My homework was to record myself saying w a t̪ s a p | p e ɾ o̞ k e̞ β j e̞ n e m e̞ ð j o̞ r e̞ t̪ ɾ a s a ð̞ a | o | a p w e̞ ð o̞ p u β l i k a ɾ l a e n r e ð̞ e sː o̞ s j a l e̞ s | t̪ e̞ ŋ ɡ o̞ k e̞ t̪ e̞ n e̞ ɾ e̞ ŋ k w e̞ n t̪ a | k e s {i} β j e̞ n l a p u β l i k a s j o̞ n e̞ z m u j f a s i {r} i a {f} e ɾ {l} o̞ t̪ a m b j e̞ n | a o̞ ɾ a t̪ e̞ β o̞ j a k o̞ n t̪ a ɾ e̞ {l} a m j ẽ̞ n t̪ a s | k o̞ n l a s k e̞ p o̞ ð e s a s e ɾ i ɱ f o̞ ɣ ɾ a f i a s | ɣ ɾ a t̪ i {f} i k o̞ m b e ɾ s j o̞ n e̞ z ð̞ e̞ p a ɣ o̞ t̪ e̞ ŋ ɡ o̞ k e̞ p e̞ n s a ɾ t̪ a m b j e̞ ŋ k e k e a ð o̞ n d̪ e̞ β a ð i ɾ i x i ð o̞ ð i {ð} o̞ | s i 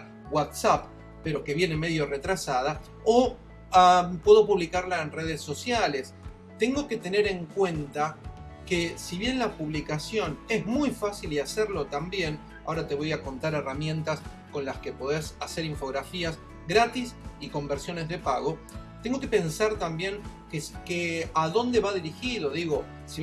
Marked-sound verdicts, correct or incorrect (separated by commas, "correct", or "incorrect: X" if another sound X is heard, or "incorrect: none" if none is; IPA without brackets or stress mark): correct, incorrect: l, incorrect: s, correct, incorrect: r, incorrect: s, incorrect: ɣ